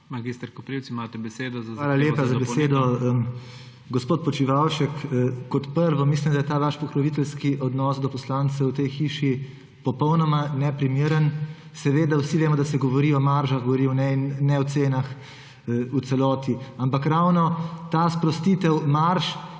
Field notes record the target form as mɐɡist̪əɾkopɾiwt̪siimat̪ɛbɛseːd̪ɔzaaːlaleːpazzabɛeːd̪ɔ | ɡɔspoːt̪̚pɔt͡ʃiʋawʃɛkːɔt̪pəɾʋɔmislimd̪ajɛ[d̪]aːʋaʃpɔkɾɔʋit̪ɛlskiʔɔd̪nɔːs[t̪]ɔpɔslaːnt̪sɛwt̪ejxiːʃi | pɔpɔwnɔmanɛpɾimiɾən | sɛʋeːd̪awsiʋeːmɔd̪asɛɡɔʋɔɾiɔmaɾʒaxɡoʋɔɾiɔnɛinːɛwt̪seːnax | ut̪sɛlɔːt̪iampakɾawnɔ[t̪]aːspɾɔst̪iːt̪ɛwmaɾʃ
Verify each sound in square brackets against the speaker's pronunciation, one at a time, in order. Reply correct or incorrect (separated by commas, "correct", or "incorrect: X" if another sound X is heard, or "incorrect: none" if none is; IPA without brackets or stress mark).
incorrect: t̪, incorrect: d̪, correct